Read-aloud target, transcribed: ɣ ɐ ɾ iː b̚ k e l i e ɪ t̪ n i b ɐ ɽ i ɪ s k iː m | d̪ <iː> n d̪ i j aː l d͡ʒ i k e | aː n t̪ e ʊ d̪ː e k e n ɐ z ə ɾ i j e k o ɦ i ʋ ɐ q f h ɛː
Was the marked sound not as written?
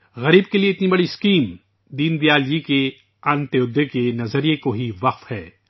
no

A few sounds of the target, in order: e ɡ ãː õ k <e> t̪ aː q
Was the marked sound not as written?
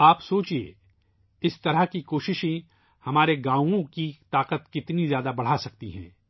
yes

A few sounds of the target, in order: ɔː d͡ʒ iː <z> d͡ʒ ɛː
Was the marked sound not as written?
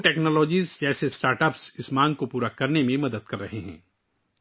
no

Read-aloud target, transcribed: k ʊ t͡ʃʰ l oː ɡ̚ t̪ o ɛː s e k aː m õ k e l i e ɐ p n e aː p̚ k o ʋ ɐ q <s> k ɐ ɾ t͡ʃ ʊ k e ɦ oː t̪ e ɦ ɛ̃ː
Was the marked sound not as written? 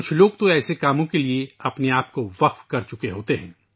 yes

